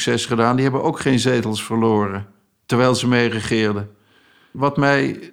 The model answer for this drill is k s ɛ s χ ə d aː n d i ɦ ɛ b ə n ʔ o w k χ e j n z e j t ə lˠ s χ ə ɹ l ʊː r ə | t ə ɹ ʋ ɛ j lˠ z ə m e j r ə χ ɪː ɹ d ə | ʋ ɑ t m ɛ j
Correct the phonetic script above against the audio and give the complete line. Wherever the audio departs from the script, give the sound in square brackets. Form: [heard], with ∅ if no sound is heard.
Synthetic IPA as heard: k s ɛ s χ ə d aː n d i ɦ ɛ b ə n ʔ o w k χ e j n z e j t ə lˠ s [f] ə ɹ l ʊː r ə | t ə ɹ ʋ ɛ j lˠ z ə m e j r ə χ ɪː ɹ d ə | ʋ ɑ t m ɛ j